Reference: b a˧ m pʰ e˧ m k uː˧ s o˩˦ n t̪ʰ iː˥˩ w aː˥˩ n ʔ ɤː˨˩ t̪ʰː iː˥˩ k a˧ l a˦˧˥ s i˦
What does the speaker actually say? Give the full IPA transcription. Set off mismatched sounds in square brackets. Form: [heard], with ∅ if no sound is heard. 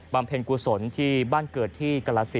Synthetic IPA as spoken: b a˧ m pʰ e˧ [n] k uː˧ s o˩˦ n t̪ʰ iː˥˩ [b] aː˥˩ n [k] ɤː˨˩ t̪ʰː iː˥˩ k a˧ l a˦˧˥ s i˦

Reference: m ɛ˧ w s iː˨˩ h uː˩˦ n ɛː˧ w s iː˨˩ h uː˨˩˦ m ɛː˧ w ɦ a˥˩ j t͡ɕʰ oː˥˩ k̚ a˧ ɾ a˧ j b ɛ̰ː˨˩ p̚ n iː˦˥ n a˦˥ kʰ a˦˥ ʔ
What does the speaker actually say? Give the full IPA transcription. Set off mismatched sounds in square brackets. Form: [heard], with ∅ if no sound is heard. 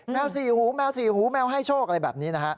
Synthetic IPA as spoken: m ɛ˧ w s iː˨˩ h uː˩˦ [m] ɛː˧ w s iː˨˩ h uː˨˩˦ m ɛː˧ w ɦ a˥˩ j t͡ɕʰ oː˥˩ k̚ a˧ ɾ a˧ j b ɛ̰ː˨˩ p̚ n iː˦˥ n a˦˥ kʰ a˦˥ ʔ

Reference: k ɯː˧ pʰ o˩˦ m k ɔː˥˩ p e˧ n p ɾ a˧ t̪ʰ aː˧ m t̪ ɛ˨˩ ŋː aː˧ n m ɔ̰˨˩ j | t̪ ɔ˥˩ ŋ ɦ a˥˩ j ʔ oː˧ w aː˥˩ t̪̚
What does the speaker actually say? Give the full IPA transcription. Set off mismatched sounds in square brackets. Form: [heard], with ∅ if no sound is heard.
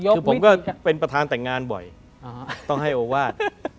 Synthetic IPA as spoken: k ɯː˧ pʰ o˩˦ m k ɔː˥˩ p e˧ n p ɾ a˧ t̪ʰ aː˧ [n] t̪ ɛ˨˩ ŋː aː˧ n [b] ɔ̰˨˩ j | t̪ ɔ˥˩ ŋ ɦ a˥˩ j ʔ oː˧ w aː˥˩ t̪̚

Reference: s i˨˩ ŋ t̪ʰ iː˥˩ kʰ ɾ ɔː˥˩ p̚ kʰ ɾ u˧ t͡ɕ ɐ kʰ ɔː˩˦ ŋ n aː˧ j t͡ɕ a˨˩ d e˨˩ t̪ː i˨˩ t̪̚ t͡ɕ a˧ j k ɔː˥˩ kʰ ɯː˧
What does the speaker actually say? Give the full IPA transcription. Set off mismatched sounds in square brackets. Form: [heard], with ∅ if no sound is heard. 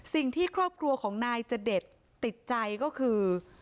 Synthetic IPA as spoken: s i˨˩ ŋ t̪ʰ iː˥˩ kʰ ɾ ɔː˥˩ p̚ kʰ ɾ u˧ [∅] ɐ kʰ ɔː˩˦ ŋ n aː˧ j t͡ɕ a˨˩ d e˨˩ t̪ː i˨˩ t̪̚ t͡ɕ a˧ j k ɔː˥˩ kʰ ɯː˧

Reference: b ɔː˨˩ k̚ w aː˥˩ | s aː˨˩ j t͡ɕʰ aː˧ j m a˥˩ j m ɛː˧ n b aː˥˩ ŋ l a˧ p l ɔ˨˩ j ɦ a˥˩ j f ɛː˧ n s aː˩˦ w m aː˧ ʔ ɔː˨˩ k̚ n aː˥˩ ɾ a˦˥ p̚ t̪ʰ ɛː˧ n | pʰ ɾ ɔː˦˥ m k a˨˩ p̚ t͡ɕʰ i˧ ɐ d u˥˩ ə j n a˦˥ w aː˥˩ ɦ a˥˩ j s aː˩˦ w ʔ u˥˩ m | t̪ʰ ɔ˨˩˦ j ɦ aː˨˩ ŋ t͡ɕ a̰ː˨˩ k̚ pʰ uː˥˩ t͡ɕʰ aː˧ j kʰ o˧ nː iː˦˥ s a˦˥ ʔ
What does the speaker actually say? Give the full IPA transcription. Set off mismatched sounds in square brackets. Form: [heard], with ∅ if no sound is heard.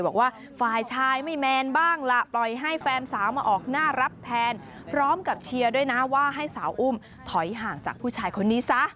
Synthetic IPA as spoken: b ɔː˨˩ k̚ w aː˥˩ | [f] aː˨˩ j t͡ɕʰ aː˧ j m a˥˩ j m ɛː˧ n b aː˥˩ ŋ l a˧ p l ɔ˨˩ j ɦ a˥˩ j f ɛː˧ n s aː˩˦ w m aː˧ ʔ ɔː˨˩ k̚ n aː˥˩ ɾ a˦˥ p̚ t̪ʰ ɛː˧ n | pʰ ɾ ɔː˦˥ m k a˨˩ p̚ t͡ɕʰ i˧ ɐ d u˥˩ ə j n a˦˥ w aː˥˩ ɦ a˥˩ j s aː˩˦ w ʔ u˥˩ m | t̪ʰ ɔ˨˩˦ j ɦ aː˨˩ ŋ t͡ɕ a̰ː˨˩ k̚ pʰ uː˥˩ t͡ɕʰ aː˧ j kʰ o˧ nː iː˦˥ s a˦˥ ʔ

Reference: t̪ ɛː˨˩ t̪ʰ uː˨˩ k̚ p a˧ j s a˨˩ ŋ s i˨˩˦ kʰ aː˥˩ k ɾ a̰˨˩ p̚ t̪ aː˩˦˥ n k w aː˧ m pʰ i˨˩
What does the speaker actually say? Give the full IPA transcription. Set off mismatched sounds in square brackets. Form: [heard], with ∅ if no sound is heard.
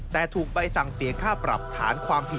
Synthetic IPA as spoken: t̪ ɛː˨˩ t̪ʰ uː˨˩ k̚ p a˧ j s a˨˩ ŋ s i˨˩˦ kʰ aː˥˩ [p] ɾ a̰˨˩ p̚ [t̪ʰ] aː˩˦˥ n [kʰ] w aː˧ m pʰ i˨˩

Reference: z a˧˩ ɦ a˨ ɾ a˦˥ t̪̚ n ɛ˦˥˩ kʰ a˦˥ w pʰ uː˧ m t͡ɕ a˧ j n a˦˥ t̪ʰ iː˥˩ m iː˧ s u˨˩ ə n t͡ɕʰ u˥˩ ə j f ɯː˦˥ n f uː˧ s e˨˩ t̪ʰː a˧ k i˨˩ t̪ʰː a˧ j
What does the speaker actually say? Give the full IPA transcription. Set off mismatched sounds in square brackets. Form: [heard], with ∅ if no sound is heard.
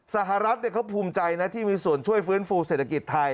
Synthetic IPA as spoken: [s] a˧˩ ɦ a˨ ɾ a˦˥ t̪̚ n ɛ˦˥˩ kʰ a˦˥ w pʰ uː˧ m t͡ɕ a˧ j n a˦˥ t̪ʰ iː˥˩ m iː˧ s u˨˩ ə n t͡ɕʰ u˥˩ ə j f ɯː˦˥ n f uː˧ s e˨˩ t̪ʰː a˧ k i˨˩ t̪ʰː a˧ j

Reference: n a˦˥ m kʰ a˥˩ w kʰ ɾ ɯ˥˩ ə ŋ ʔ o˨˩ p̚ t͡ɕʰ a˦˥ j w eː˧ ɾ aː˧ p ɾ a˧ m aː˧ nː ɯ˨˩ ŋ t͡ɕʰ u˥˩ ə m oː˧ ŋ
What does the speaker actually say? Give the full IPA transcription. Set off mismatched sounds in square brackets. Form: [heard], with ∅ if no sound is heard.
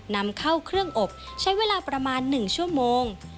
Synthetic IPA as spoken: n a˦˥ m kʰ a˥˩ w kʰ ɾ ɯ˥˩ ə ŋ ʔ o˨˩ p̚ t͡ɕʰ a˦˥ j w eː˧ [l] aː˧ p ɾ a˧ m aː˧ nː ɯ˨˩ ŋ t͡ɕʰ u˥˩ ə m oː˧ ŋ

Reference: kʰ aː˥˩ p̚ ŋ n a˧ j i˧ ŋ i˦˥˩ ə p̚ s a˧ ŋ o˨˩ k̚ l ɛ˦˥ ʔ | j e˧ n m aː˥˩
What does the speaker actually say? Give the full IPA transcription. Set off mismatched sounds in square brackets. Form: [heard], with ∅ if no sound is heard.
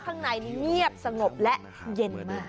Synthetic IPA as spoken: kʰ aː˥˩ [∅] ŋ n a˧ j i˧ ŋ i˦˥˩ ə p̚ s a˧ ŋ o˨˩ [p̚] l ɛ˦˥ ʔ | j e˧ n m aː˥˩

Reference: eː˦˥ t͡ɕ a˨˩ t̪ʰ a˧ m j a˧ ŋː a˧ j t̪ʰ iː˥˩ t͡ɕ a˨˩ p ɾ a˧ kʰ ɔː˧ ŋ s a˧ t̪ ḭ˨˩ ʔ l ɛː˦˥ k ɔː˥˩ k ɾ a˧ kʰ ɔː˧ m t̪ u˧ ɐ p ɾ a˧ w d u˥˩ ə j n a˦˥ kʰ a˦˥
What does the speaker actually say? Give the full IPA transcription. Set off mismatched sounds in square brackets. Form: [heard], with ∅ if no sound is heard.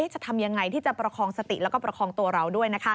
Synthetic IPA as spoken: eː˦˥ t͡ɕ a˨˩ t̪ʰ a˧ m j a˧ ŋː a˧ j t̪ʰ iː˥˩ t͡ɕ a˨˩ p ɾ a˧ kʰ ɔː˧ ŋ s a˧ t̪ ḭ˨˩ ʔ l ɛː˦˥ k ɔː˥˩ [p] ɾ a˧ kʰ ɔː˧ [ŋ] t̪ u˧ ɐ [∅] ɾ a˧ w d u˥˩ ə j n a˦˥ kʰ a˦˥

